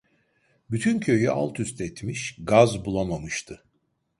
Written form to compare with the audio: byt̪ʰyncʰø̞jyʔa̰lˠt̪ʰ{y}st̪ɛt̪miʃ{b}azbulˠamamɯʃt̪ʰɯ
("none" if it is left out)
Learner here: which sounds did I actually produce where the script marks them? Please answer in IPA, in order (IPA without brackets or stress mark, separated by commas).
y, ɡ